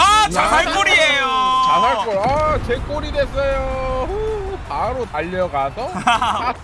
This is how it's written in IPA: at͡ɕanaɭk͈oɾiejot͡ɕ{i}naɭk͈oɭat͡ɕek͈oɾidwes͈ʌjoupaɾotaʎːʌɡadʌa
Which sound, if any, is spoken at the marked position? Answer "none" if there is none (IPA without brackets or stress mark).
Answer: a